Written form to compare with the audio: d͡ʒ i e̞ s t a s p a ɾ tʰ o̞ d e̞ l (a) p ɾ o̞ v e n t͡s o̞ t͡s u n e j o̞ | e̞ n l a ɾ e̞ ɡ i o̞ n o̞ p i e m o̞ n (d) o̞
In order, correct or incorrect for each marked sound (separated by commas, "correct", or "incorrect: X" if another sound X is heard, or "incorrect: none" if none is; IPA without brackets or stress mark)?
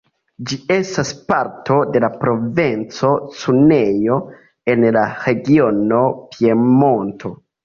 correct, incorrect: t